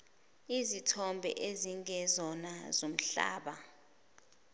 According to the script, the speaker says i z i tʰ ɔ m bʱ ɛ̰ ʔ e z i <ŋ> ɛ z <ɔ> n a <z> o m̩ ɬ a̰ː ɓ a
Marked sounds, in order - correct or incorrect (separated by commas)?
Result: correct, correct, correct